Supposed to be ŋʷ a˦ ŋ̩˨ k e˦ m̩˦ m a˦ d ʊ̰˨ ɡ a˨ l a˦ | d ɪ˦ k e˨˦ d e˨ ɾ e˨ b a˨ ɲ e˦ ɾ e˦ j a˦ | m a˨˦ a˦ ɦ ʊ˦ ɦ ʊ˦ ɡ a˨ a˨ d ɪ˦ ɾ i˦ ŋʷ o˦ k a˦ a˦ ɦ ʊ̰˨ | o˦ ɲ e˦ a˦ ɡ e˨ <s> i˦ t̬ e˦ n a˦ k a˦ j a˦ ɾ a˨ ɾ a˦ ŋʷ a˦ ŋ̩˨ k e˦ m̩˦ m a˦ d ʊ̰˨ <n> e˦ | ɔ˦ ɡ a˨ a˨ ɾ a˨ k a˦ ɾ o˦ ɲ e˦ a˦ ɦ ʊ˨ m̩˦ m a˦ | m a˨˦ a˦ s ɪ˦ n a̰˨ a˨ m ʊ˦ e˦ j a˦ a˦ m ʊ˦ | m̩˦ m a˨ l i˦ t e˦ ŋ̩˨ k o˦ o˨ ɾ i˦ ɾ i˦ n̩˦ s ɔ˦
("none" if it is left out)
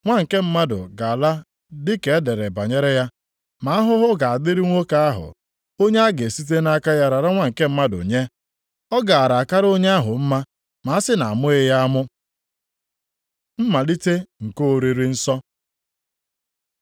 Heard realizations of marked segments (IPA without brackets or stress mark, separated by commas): s, ɲ